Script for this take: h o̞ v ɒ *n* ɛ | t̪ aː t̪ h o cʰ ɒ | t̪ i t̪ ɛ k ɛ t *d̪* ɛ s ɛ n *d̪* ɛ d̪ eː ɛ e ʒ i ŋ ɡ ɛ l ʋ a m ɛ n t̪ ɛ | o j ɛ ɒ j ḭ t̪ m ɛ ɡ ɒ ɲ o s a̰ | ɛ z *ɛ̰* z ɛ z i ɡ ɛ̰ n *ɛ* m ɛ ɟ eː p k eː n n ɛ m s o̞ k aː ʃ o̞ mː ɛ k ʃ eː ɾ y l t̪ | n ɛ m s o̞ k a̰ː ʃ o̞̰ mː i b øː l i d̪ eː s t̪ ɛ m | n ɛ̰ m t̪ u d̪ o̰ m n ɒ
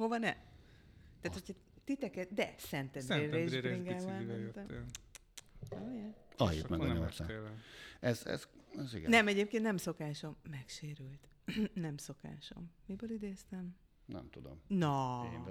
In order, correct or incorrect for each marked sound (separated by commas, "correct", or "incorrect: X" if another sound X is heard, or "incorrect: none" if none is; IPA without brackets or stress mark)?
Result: correct, correct, incorrect: t̪, correct, correct